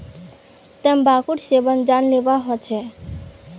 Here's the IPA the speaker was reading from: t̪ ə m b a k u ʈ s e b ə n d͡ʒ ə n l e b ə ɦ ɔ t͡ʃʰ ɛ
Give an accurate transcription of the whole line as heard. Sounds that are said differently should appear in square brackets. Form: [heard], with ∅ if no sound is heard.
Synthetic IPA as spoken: t̪ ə m b a k u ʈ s e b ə n d͡ʒ [a] n l e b [a] ɦ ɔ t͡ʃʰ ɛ